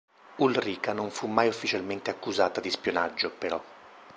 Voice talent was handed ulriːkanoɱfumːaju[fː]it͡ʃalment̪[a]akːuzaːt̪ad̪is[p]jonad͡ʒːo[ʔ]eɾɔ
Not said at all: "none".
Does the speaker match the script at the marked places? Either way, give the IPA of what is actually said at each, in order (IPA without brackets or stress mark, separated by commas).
fː, e, p, p